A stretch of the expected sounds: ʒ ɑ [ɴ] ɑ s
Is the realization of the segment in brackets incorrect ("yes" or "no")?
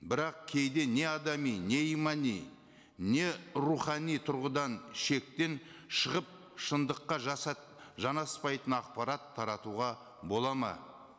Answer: yes